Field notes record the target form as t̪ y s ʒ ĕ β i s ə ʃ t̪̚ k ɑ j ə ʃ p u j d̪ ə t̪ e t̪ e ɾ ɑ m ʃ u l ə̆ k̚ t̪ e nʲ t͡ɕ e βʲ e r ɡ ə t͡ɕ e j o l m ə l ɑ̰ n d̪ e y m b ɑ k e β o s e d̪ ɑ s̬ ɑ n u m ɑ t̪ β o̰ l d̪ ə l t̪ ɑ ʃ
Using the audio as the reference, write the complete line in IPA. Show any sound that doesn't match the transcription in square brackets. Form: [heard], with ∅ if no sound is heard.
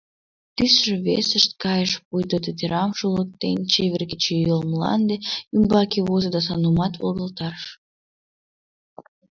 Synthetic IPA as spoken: t̪ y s ʒ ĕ β [e] s ə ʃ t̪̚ k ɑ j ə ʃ p u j d̪ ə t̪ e t̪ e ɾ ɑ m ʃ u l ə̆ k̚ t̪ e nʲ t͡ɕ e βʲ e r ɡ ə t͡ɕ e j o l m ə l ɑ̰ n d̪ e y m b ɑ k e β o [z] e d̪ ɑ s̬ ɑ n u m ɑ t̪ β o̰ l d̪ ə l t̪ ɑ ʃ